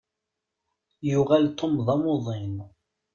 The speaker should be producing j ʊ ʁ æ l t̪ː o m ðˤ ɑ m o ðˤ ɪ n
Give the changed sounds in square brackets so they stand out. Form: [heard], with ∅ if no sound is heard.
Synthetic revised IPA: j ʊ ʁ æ l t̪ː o m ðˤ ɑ m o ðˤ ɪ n